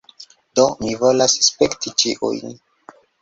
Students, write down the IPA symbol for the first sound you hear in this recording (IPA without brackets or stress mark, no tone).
d